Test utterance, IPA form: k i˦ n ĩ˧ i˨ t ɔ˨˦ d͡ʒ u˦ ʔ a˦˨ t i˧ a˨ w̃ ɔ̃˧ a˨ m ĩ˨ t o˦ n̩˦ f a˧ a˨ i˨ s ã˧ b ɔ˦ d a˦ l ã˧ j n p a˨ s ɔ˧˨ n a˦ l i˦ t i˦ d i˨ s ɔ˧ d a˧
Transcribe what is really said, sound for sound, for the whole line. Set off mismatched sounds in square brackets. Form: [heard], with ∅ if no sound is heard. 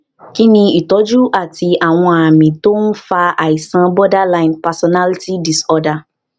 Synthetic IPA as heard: k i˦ n ĩ˧ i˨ t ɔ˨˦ d͡ʒ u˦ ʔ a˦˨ t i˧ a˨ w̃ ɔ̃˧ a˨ m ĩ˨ t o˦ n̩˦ f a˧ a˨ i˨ s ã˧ b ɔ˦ d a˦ l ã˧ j n p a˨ s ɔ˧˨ n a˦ l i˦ t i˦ d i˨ s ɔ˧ d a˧